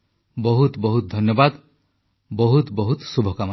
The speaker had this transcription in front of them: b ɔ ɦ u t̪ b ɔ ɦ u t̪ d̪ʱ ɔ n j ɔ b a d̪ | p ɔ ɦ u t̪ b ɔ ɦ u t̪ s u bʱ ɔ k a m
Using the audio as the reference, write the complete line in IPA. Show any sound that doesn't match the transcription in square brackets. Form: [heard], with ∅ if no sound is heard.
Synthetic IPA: b ɔ ɦ u t̪ b ɔ ɦ u t̪ d̪ʱ ɔ n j ɔ b a d̪ | [b] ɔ ɦ u t̪ b ɔ ɦ u t̪ s u bʱ ɔ k a m